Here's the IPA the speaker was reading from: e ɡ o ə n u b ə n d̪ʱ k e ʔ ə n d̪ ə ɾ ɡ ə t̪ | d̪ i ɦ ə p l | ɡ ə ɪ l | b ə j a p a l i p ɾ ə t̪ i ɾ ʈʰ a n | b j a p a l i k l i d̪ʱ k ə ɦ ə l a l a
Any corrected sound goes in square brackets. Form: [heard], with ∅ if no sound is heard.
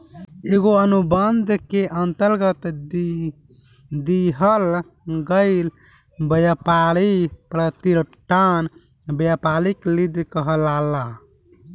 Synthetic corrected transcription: e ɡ o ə n u b ə n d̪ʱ k e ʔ ə n [t̪] ə ɾ ɡ ə t̪ | d̪ i ɦ ə [∅] l | ɡ ə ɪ l | b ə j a p a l i p ɾ ə t̪ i ɾ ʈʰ a n | b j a p a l i k l i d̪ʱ k ə ɦ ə l a l a